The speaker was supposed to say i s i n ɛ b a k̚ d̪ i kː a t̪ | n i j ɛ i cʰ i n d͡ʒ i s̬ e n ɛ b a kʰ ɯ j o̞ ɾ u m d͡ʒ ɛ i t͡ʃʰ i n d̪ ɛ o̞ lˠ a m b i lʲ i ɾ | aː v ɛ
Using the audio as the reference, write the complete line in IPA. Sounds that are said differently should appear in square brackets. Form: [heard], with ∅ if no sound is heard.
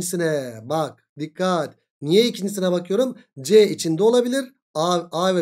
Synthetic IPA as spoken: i s i n ɛ b a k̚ d̪ i kː a t̪ | n i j ɛ i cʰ i n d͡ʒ i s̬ [i] n ɛ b a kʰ ɯ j o̞ ɾ u m d͡ʒ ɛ i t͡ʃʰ i n d̪ ɛ o̞ lˠ a [∅] b i lʲ i ɾ | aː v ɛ

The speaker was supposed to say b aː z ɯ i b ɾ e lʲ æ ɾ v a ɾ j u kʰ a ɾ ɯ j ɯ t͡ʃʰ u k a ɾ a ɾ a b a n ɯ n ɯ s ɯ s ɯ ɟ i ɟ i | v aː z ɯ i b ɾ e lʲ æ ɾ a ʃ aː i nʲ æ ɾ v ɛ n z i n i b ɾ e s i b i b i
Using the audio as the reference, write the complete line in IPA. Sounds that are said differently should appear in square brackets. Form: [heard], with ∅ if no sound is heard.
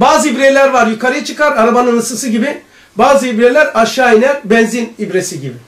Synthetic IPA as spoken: b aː z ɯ i b ɾ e lʲ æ ɾ v a ɾ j u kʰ a ɾ ɯ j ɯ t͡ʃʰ [ɯ] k a ɾ a ɾ a b a n ɯ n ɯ s ɯ s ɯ ɟ i [b] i | [b] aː z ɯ i b ɾ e lʲ æ ɾ a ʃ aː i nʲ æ ɾ [b] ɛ n z i n i b ɾ e s i [ɟ] i b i

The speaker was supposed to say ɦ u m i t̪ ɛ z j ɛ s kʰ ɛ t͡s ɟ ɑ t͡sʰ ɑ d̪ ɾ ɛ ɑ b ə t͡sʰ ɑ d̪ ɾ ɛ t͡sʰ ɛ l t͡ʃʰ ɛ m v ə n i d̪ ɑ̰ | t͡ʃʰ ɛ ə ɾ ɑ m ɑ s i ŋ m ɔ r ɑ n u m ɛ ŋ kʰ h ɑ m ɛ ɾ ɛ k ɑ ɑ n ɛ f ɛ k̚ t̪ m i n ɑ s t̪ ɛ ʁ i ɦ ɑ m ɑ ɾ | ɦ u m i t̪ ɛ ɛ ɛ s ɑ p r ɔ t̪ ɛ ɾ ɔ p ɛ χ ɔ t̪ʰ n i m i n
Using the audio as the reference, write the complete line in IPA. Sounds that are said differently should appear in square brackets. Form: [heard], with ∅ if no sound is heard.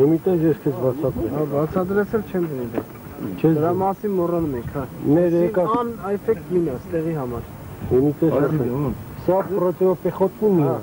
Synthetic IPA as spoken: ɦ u m i t̪ ɛ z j ɛ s kʰ ɛ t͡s [b] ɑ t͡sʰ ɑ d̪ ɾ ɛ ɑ b [ɑ] t͡sʰ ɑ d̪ ɾ ɛ t͡sʰ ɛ l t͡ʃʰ ɛ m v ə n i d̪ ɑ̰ | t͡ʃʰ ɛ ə ɾ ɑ m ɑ s i [n] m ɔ r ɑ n u m ɛ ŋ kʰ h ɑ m ɛ ɾ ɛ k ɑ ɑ n ɛ f ɛ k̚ t̪ m i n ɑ s t̪ ɛ ʁ i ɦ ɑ m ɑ ɾ | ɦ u m i t̪ ɛ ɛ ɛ s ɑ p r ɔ t̪ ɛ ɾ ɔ p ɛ χ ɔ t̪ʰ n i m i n

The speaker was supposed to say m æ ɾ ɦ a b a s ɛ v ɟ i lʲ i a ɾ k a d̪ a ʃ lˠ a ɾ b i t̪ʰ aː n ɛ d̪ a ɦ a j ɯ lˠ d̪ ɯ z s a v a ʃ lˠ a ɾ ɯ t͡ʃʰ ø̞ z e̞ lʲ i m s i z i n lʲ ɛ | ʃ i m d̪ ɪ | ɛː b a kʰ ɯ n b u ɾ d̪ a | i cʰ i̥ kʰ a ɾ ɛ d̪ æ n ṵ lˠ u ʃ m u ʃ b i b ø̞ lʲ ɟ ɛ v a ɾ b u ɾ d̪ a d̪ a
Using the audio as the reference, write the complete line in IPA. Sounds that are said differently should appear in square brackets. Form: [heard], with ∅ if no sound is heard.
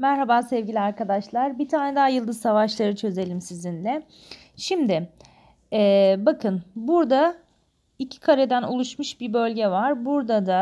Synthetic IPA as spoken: m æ ɾ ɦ a b a s ɛ v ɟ i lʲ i a ɾ k a d̪ a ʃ lˠ a ɾ b i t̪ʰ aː n ɛ d̪ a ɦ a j ɯ lˠ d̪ ɯ z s a v a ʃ lˠ a ɾ ɯ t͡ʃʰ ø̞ z e̞ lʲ i m s i z i n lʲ ɛ | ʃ i m d̪ ɪ | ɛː b a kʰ ɯ n b u ɾ d̪ a | i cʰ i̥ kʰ a ɾ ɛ d̪ æ n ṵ lˠ u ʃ m u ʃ b i b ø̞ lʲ ɟ ɛ v a ɾ b u ɾ d̪ a d̪ a

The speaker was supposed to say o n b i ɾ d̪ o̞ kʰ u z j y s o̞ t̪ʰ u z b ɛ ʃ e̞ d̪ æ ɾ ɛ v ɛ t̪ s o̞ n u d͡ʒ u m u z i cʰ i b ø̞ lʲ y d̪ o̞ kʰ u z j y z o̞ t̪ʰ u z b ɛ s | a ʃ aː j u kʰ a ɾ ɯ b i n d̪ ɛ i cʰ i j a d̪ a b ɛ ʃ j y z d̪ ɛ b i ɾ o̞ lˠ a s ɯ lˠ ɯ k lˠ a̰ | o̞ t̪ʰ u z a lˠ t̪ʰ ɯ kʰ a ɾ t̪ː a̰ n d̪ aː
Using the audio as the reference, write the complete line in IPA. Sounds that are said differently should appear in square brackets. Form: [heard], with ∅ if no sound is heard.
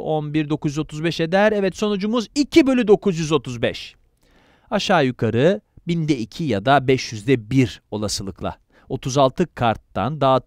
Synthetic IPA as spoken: o n b i ɾ d̪ o̞ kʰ u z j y [z] o̞ t̪ʰ u z b ɛ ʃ e̞ d̪ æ ɾ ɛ v ɛ t̪ s o̞ n u d͡ʒ u m u z i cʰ i b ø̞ lʲ y d̪ o̞ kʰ u z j y z o̞ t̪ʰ u z b ɛ [ʃ] | a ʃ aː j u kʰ a ɾ ɯ b i n d̪ ɛ i cʰ i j a d̪ a b ɛ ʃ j y z d̪ ɛ b i ɾ o̞ lˠ a s ɯ lˠ ɯ k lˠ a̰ | o̞ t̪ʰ u z a lˠ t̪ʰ ɯ kʰ a ɾ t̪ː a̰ n d̪ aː

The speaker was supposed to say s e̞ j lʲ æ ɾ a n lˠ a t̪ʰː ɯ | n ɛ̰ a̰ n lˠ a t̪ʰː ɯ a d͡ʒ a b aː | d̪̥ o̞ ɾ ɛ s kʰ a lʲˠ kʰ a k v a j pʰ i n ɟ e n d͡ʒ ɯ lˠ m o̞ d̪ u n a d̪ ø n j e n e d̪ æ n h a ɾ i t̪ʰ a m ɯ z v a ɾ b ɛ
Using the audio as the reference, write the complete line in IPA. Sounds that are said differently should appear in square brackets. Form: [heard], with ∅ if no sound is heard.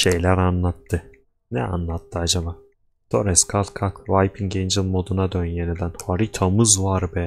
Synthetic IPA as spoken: [ʃ] e̞ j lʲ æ ɾ a n lˠ a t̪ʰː ɯ | n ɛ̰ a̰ n lˠ a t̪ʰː ɯ a d͡ʒ a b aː | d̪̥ o̞ ɾ ɛ s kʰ a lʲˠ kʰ a k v a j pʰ i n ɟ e n d͡ʒ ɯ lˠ m o̞ d̪ u n a d̪ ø n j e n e d̪ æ n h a ɾ i t̪ʰ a m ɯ z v a ɾ b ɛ

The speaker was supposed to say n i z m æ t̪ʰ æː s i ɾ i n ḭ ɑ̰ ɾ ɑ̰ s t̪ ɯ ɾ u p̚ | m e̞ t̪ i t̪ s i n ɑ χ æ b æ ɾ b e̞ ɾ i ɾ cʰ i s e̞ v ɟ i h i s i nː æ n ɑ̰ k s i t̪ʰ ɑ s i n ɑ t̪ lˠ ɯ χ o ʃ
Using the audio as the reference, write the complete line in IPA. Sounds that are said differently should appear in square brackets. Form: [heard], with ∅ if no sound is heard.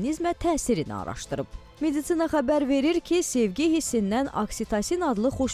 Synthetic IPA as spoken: n i z m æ t̪ʰ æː s i ɾ i n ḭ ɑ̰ ɾ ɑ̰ [ʃ] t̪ ɯ ɾ [ɯ] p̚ | m e̞ [d̪] i t̪ s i n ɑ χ æ b æ ɾ [v] e̞ ɾ i ɾ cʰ i s e̞ v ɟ i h i s i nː æ n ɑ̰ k s i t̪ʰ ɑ s i n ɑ [d̪] lˠ ɯ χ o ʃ

